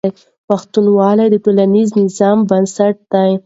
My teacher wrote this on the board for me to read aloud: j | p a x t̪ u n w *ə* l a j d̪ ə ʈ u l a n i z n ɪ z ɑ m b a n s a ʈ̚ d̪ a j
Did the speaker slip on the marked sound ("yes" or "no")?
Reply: yes